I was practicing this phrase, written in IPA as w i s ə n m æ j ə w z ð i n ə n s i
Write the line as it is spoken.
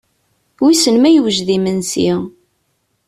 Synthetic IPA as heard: w i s ə n m æ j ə w ʒ ð i m ə n s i